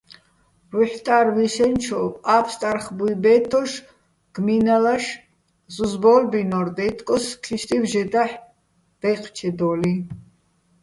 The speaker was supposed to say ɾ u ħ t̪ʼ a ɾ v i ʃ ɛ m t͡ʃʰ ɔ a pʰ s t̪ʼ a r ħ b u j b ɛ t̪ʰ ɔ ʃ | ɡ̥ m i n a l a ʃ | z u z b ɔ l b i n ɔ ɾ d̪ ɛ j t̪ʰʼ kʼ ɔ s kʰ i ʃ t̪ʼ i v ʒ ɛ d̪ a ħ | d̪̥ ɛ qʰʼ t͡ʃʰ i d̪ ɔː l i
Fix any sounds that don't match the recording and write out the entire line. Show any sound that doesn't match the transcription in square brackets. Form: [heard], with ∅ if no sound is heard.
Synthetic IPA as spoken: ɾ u ħ t̪ʼ a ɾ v i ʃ ɛ [n] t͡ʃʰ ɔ a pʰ s t̪ʼ a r [χ] b u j b ɛ t̪ʰ ɔ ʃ | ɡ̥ m i n a l a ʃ | z u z b ɔ l b i n ɔ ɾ d̪ ɛ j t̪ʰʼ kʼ ɔ s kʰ i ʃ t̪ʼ i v ʒ ɛ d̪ a ħ | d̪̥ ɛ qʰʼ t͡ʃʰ [ɛ] d̪ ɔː l i